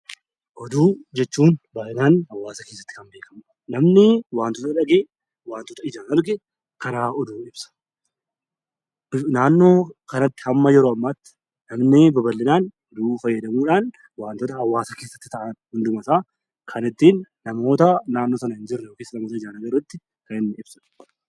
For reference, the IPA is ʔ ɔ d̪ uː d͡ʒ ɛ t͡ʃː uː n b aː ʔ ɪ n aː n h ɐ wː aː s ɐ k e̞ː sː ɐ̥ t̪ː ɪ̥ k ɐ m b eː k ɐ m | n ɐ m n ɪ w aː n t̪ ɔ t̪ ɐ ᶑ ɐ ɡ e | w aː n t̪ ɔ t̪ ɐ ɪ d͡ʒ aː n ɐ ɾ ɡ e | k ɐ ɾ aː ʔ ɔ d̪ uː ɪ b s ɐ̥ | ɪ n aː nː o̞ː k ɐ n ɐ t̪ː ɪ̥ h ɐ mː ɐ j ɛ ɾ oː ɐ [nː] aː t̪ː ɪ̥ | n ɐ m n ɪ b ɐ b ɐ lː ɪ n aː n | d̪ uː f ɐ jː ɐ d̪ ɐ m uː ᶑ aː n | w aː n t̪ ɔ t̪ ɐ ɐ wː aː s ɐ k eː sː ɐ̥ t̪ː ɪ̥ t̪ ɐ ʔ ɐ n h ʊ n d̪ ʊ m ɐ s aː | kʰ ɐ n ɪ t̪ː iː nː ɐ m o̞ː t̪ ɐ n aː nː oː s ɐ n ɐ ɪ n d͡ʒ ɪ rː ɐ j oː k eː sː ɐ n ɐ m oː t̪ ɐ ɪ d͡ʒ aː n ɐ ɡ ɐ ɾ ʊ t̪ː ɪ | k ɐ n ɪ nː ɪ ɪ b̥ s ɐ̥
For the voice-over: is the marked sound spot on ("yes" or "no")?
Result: no